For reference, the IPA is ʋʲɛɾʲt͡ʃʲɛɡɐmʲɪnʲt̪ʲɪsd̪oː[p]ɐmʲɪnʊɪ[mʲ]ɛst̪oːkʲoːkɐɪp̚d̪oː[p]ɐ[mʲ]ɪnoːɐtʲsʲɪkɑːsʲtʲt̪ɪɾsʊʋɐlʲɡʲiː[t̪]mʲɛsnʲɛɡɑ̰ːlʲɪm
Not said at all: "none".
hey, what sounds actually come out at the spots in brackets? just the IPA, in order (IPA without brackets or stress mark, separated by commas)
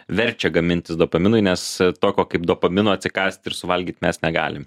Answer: p, nʲ, p, mʲ, t̪